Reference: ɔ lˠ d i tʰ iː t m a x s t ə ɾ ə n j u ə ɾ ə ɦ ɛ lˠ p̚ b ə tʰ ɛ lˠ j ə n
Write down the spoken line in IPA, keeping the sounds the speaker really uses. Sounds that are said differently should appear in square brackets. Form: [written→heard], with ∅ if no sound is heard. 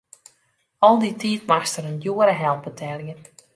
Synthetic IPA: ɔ lˠ d i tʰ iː t m a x s t ə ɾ ə n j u ə ɾ ə ɦ ɛ lˠ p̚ b ə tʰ ɛ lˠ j ə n